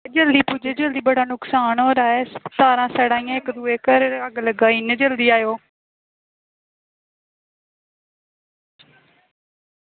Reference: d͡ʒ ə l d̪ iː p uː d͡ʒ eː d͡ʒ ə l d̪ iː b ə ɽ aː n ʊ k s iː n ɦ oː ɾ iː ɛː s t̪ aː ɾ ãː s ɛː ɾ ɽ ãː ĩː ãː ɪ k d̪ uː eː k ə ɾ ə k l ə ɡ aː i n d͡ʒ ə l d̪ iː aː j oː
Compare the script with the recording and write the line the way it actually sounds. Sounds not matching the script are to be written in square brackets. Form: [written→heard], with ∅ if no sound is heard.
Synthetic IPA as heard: d͡ʒ ə l d̪ iː p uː d͡ʒ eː d͡ʒ ə l d̪ iː b ə ɽ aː n ʊ k s [iː→aː] n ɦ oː ɾ [iː→aː] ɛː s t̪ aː ɾ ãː s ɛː [ɾ→∅] ɽ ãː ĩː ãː ɪ k d̪ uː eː k ə ɾ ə [k→ɡ] l ə ɡ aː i n d͡ʒ ə l d̪ iː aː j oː